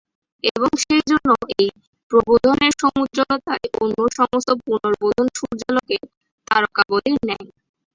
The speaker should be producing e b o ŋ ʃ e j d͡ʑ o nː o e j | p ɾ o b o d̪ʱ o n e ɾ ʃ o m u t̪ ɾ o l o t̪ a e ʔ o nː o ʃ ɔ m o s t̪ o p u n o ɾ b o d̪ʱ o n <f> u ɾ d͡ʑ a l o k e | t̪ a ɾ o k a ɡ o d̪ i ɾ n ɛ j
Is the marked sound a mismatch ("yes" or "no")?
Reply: yes